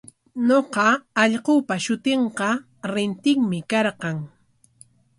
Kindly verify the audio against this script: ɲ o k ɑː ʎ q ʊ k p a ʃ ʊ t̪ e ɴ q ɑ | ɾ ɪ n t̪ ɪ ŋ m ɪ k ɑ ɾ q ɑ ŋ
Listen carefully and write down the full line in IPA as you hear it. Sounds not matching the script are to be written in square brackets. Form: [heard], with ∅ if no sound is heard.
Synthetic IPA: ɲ o [q] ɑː ʎ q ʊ [∅] p a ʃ ʊ t̪ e ɴ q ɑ | ɾ ɪ n t̪ ɪ ŋ m ɪ k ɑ ɾ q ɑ ŋ